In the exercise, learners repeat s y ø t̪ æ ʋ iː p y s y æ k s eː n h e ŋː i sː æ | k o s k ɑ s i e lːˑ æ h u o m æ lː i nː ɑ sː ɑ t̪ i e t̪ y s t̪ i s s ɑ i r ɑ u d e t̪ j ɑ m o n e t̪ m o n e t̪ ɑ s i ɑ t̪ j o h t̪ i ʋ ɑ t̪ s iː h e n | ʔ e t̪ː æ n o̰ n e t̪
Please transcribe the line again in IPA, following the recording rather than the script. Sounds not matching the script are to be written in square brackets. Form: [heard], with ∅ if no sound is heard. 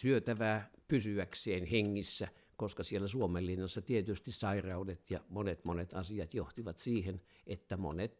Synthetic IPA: s y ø t̪ æ ʋ [æː] p y s y æ k s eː n h e ŋː i sː æ | k o s k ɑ s i e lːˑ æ [s] u o m [e] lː i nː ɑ sː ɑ t̪ i e t̪ y s t̪ i s s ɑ i r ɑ u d e t̪ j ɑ m o n e t̪ m o n e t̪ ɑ s i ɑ t̪ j o h t̪ i ʋ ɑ t̪ s iː h e n | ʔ e t̪ː æ [m] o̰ n e t̪